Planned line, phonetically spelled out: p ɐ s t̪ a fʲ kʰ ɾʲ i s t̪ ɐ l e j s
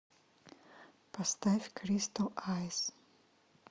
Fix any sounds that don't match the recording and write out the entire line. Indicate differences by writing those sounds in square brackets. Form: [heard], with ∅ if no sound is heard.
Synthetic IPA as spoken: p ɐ s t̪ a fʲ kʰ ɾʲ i s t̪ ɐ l [a] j s